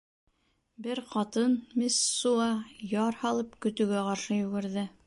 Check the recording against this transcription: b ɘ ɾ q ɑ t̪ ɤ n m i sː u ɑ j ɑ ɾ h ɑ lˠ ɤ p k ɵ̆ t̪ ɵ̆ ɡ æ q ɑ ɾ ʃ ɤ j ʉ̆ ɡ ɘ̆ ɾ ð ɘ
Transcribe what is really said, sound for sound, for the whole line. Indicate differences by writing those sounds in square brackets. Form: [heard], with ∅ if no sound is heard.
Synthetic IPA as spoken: b ɘ ɾ q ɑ t̪ ɤ n m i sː u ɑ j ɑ ɾ h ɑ lˠ ɤ p k ɵ̆ t̪ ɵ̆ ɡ æ q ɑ ɾ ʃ ɤ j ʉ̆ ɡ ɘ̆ ɾ ð ɘ